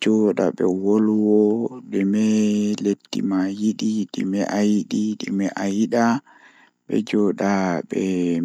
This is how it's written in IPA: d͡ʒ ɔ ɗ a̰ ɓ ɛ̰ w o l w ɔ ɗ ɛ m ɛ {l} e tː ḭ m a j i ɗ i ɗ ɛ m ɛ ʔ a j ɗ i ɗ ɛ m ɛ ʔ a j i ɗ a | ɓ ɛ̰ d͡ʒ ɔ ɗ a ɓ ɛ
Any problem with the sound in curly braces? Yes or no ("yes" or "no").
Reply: no